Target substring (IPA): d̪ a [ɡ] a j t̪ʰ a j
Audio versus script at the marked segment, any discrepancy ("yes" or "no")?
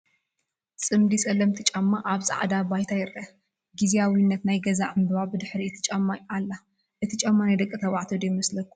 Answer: yes